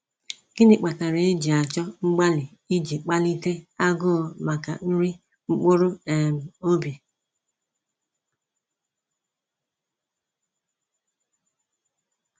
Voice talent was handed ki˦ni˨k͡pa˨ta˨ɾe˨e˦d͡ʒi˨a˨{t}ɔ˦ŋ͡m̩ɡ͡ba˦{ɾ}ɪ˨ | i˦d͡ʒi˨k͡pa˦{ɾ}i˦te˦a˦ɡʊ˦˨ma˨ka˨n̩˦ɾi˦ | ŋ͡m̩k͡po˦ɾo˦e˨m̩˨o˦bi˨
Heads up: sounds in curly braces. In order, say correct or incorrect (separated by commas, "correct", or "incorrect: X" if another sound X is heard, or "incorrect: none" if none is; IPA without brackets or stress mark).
incorrect: t͡ʃ, incorrect: l, incorrect: l